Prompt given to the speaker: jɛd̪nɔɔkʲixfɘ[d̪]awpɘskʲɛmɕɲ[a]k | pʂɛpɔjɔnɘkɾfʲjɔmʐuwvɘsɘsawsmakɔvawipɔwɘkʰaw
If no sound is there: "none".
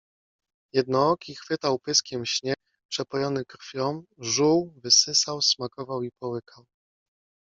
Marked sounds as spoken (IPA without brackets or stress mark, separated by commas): t̪, ɛ